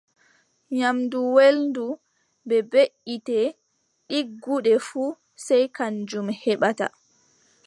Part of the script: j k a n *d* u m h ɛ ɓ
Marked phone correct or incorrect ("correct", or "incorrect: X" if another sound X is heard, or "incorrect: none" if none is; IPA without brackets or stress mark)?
incorrect: d͡ʒ